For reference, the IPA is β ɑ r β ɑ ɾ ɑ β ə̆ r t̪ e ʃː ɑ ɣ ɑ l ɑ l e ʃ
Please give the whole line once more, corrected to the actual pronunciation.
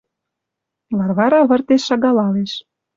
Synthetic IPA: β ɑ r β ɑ ɾ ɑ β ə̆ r t̪ e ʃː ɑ ɣ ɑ l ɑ l e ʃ